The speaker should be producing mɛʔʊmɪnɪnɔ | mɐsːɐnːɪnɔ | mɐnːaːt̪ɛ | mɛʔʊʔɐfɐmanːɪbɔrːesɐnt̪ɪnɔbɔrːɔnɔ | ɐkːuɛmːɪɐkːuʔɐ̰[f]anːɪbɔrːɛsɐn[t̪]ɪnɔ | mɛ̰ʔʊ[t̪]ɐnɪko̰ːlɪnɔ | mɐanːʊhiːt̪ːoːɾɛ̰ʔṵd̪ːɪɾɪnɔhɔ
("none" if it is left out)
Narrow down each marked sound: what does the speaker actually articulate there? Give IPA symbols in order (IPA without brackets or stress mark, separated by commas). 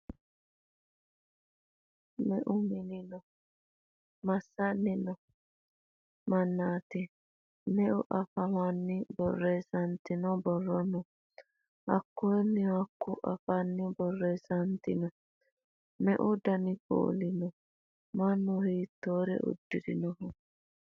f, t̪, d̪